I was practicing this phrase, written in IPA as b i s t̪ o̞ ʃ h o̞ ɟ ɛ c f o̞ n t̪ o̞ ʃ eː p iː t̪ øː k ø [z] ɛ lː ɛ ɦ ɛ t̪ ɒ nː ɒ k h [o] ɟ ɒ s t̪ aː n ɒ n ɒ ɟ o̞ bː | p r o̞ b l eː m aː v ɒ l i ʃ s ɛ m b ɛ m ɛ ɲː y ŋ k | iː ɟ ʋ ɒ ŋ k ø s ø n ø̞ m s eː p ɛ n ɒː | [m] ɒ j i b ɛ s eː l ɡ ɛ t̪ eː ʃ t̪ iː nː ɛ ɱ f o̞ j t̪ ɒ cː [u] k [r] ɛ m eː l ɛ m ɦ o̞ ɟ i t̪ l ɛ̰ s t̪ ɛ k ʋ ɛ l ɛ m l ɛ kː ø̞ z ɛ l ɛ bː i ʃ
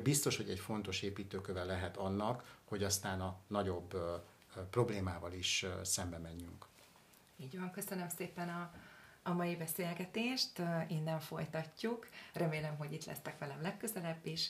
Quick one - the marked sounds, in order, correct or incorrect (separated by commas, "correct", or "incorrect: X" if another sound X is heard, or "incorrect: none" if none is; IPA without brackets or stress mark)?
incorrect: v, correct, correct, correct, correct